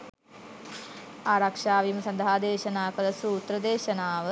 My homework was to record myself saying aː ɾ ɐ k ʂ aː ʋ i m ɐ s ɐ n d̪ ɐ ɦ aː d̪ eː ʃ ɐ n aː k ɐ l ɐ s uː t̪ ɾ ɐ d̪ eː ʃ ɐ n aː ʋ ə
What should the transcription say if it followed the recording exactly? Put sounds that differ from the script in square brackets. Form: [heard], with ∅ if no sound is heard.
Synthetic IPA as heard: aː ɾ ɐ k ʂ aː ʋ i m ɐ s ɐ n d̪ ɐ ɦ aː d̪ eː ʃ ɐ n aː k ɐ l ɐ s uː t̪ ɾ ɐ d̪ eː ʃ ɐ n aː ʋ ə